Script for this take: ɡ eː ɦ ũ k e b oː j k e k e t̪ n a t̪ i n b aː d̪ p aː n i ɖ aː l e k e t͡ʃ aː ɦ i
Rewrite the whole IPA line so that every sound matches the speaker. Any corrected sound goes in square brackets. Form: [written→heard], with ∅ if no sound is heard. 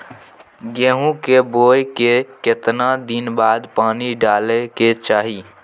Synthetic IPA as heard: ɡ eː ɦ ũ k e b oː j k e k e t̪ n a [t̪→d̪] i n b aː d̪ p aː n i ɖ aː l e k e t͡ʃ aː ɦ i